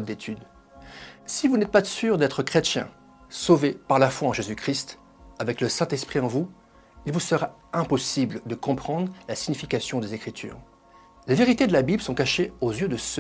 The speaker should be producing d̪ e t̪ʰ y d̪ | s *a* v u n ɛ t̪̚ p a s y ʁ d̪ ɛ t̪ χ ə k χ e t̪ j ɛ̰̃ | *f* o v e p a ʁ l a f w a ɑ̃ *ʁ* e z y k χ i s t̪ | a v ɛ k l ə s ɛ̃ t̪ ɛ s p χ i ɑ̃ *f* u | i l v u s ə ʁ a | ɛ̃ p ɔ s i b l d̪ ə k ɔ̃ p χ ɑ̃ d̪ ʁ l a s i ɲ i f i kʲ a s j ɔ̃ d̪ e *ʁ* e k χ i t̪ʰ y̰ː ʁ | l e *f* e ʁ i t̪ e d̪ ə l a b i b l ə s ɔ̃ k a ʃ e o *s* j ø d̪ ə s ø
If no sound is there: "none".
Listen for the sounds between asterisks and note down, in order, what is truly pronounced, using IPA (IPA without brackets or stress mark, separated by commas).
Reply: i, s, ʒ, v, z, v, z